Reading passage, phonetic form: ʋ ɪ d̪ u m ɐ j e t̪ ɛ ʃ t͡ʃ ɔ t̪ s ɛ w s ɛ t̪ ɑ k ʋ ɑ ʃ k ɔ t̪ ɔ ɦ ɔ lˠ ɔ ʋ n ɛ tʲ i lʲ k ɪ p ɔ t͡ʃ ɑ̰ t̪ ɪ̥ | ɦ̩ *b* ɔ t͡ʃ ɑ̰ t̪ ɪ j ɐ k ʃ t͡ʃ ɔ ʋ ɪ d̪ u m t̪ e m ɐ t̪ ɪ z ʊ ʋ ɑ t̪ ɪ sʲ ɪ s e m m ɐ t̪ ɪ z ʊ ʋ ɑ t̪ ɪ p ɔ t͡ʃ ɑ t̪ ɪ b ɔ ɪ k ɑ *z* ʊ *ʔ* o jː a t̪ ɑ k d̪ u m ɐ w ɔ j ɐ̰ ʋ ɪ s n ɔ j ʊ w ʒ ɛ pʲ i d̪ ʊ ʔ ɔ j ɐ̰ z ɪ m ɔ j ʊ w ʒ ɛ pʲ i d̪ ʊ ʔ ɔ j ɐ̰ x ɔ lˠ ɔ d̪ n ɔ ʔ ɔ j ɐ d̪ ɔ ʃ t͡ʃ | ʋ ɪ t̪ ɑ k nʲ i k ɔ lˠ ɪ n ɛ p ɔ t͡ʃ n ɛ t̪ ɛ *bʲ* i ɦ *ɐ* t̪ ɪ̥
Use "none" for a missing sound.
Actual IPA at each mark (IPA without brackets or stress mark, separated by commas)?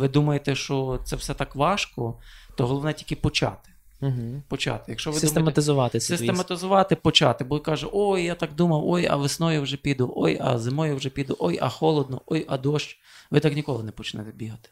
p, ʒ, ʔ, bʲ, ɐ